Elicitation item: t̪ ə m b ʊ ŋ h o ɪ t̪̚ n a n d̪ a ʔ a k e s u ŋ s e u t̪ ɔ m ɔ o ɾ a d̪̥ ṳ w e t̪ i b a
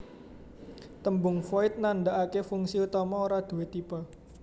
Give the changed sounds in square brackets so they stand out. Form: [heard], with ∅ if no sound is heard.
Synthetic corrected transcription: t̪ ə m b ʊ ŋ [f] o ɪ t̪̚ n a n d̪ a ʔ a k e [f] u ŋ s [i] u t̪ ɔ m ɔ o ɾ a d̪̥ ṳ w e t̪ i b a